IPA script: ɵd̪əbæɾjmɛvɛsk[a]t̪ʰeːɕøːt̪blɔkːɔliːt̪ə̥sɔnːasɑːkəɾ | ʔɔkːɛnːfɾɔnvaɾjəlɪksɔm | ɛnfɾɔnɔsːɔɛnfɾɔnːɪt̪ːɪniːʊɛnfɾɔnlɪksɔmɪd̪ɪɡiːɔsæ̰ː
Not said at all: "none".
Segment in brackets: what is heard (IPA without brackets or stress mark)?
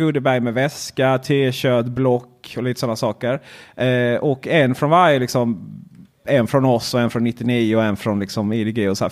a